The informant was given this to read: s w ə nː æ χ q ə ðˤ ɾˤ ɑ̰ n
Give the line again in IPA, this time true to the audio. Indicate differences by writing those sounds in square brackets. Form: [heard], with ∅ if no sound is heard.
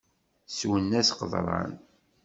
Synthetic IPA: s w ə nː æ [s] q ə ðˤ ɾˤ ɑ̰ n